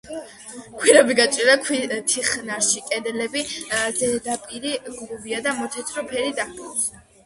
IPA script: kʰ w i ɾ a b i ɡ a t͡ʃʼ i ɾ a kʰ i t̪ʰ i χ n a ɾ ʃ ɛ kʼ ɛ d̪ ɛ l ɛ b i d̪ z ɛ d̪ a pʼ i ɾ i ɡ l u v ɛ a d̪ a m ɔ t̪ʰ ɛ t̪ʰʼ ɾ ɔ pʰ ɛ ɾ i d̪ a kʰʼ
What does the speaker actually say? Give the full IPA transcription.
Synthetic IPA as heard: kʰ w i ɾ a b i ɡ a t͡ʃʼ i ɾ a kʰ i t̪ʰ i χ n a ɾ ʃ i kʼ ɛ d̪ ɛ l ɛ b i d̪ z ɛ d̪ a pʼ i ɾ i ɡ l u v i a d̪ a m ɔ t̪ʰ ɛ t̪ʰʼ ɾ ɔ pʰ ɛ ɾ i d̪ a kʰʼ

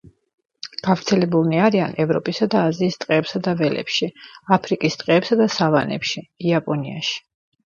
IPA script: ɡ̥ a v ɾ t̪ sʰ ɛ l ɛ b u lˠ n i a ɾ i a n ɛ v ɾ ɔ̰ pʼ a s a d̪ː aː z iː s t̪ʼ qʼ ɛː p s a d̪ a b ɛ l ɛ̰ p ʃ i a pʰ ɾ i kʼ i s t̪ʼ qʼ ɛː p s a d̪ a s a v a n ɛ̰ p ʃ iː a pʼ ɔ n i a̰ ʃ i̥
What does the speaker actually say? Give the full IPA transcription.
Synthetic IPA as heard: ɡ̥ a v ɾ t̪ sʰ ɛ l ɛ b u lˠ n i a ɾ i a n ɛ v ɾ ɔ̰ pʼ i s a d̪ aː z iː s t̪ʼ qʼ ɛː p s a d̪ a v ɛ l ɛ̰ p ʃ i a pʰ ɾ i kʼ i s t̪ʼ qʼ ɛː p s a d̪ a s a v a n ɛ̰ p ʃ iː a pʼ ɔ n i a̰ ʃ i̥

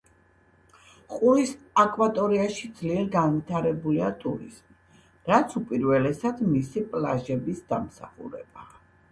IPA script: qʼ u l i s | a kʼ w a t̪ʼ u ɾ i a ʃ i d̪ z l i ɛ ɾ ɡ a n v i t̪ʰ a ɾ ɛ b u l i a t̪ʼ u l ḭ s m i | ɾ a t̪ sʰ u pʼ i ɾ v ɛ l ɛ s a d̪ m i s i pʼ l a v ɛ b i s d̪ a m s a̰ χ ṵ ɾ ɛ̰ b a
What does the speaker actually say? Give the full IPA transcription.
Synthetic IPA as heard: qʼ u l i s | a kʼ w a t̪ʼ ɔ ɾ i a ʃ i d̪ z l i ɛ ɾ ɡ a n v i t̪ʰ a ɾ ɛ b u l i a t̪ʼ u ɾ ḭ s m i | ɾ a t̪ sʰ u pʼ i ɾ v ɛ l ɛ s a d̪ m i s i pʼ l a ʒ ɛ b i s d̪ a m s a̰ χ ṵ ɾ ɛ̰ b a

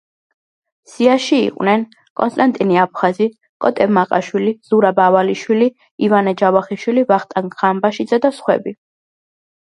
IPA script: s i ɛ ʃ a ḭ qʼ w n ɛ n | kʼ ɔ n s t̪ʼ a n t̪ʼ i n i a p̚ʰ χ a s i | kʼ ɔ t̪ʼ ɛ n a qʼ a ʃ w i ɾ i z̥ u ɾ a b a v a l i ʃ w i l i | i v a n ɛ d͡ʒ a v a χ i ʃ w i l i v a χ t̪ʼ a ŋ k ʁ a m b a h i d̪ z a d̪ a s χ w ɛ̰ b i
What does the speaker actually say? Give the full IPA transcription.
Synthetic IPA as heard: s i a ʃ i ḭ qʼ w n ɛ n | kʼ ɔ n s t̪ʼ a n t̪ʼ i n i a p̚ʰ χ a z i | kʼ ɔ t̪ʼ ɛ m a qʼ a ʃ w i l i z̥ u ɾ a b a v a l i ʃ w i l i | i v a n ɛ d͡ʒ a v a χ i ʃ w i l i v a χ t̪ʼ a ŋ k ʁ a m b a ʃ i d̪ z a d̪ a s χ w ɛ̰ b i

